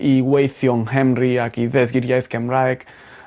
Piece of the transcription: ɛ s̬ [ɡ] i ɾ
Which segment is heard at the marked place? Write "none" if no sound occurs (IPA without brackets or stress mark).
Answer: ɡ